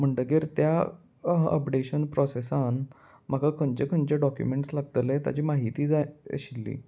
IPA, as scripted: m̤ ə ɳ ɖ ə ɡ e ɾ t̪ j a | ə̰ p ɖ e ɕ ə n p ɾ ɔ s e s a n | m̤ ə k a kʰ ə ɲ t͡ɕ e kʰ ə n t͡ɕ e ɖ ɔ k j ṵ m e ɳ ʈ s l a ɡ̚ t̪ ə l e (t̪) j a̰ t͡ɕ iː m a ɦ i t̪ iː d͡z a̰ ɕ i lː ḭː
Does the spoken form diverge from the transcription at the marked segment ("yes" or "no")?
no